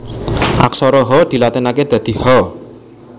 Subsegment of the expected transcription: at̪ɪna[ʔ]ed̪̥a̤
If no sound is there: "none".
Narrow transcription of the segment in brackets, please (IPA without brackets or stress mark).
k